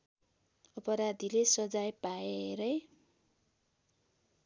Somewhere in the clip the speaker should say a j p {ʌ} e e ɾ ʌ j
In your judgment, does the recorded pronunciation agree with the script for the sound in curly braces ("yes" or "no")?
no